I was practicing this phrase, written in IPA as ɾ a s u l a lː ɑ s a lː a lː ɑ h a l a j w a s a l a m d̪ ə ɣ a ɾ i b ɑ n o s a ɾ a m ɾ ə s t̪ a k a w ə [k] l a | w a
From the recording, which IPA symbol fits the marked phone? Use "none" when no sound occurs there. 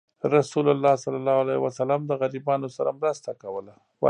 none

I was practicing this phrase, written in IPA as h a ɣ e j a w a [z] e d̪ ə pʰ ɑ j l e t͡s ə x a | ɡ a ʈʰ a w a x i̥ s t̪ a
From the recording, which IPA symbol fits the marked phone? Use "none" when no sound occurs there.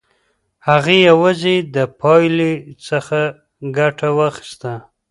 z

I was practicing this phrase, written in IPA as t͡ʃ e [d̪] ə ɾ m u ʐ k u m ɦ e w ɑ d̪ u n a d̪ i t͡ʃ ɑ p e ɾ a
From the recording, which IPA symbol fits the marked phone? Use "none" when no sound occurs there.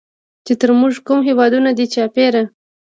t̪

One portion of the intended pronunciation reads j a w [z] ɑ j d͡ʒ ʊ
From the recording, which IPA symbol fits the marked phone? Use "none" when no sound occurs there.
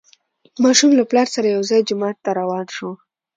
z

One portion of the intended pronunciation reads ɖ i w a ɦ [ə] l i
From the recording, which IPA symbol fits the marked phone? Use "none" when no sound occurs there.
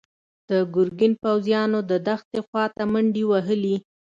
ə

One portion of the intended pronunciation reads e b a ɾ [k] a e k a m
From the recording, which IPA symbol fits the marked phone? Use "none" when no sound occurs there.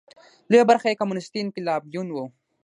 x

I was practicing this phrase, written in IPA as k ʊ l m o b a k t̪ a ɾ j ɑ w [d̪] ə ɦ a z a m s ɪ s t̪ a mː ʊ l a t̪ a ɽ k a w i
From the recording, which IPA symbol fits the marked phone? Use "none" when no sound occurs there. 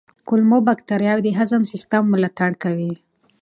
d̪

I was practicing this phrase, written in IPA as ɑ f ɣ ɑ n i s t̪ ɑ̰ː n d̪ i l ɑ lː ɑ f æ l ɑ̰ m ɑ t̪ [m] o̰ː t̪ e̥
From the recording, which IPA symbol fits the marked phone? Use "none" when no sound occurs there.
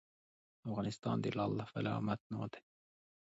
n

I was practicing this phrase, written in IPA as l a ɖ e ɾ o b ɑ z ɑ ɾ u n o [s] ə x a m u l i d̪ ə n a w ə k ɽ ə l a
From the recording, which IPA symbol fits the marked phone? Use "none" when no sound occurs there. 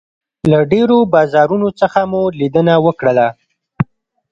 t͡s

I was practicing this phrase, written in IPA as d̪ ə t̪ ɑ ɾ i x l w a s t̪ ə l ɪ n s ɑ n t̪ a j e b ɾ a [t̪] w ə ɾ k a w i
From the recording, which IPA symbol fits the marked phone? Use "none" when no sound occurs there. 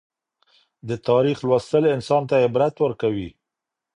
t̪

